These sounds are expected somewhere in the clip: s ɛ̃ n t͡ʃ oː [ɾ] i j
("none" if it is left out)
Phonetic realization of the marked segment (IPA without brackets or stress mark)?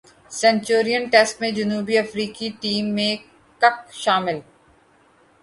ɾ